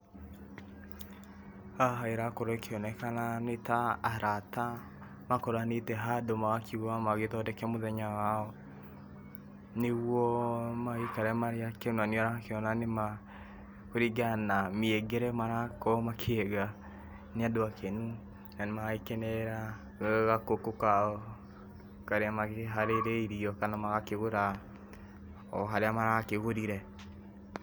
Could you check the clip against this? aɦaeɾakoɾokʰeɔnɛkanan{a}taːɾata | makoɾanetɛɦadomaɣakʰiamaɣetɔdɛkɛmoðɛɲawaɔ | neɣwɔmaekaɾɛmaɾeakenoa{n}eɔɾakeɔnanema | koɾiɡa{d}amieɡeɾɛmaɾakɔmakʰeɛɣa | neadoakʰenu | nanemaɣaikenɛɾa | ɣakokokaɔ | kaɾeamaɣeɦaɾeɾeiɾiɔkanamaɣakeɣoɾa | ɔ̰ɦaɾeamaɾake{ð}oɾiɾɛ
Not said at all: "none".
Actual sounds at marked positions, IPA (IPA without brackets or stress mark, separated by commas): e, n, n, ɣ